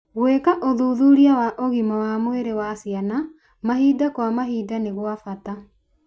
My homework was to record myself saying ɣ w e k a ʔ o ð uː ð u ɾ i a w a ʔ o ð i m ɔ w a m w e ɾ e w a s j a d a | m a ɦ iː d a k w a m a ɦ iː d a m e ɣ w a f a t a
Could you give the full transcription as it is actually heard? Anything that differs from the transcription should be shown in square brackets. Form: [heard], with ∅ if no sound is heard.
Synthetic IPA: ɣ w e k a ʔ o ð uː ð u ɾ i a w a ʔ o [ɣ] i m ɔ w a m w e ɾ e w a s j a [n] a | m a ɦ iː d a k w a m a ɦ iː d a [n] e ɣ w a f a t a